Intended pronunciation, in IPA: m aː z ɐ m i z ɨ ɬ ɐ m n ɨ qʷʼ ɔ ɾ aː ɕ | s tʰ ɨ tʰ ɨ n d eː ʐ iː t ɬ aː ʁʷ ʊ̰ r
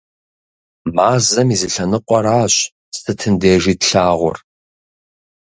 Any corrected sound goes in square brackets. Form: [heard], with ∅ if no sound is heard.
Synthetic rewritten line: m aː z ɐ m i z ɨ ɬ ɐ [∅] n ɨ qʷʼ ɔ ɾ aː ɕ | s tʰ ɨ tʰ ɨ n d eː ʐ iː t ɬ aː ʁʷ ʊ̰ r